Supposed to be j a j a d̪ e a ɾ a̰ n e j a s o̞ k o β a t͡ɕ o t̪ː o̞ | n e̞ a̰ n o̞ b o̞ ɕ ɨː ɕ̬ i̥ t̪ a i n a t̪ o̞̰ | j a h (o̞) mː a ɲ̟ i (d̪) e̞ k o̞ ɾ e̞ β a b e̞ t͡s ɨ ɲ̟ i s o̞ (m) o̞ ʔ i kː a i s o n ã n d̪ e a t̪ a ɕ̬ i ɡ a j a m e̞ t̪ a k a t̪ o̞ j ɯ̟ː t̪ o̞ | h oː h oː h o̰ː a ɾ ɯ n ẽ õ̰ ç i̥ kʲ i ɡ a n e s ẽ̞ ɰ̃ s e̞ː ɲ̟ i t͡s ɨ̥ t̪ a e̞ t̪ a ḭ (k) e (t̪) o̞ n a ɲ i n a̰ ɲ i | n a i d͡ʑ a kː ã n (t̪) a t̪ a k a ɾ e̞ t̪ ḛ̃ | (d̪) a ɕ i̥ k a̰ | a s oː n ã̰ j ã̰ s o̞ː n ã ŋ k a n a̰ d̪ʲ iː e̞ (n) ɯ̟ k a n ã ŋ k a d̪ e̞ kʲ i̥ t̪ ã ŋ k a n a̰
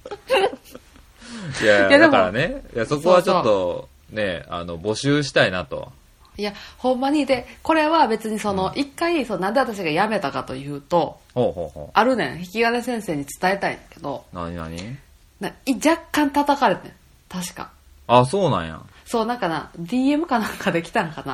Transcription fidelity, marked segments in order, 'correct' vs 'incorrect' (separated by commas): incorrect, correct, incorrect, correct, incorrect, correct, incorrect, incorrect